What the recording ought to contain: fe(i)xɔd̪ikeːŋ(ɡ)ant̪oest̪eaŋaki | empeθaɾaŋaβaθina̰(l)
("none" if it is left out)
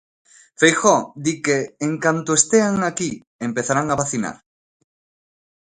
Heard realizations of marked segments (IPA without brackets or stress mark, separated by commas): j, k, ɾ